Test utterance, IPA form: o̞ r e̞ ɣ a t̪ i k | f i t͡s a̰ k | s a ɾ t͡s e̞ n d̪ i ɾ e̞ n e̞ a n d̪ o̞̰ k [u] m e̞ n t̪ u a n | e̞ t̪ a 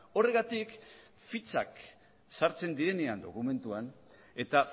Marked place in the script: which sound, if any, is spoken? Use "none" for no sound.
u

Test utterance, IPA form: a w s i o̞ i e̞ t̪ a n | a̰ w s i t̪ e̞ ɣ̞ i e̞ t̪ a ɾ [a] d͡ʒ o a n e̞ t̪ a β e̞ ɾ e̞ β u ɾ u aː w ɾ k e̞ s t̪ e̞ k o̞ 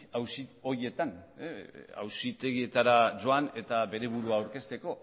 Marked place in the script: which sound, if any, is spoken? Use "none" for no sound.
a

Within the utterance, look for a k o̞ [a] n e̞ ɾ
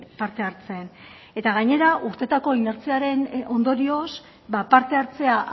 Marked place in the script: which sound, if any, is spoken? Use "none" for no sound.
i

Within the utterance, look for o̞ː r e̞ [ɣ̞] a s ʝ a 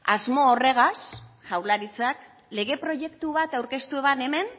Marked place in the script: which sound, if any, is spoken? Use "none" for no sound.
ɣ̞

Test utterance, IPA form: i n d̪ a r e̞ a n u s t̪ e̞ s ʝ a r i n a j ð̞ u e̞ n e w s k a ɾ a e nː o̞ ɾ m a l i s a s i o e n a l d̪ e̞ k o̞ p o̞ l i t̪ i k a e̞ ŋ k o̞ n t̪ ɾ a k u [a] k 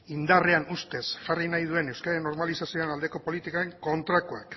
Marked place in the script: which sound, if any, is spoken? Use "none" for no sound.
a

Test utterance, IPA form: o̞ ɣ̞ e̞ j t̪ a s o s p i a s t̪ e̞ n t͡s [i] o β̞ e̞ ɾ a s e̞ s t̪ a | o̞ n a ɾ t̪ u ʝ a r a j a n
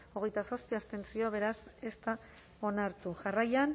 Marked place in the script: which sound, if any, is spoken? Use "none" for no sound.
i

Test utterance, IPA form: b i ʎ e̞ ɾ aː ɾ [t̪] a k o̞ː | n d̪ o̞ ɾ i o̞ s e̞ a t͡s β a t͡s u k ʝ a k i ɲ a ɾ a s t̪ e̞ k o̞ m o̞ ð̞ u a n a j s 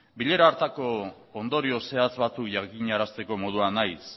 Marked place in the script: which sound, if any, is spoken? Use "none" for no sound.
t̪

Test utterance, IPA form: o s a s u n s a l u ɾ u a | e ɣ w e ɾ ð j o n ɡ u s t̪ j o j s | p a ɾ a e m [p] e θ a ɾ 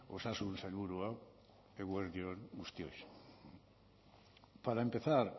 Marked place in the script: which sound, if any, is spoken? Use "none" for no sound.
p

